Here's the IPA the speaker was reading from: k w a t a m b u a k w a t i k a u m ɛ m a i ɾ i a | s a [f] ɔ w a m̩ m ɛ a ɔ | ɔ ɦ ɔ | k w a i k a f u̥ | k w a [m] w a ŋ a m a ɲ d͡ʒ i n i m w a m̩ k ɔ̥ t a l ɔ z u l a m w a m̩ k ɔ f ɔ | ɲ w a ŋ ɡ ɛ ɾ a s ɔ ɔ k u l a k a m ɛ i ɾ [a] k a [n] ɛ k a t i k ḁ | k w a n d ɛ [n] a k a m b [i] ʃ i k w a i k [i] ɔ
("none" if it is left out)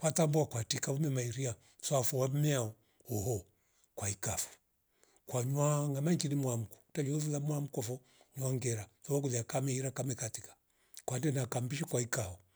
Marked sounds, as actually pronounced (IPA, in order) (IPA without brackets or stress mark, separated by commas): f, ɲ, a, m, n, i, a